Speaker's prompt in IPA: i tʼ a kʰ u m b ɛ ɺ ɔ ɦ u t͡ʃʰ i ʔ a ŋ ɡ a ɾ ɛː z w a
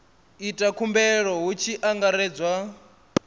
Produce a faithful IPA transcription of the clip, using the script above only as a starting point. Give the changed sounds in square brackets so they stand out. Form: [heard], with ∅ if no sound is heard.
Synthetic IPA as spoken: i tʼ a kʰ u m b ɛ ɺ ɔ ɦ u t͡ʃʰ i ʔ a ŋ ɡ a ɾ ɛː [d͡z] w a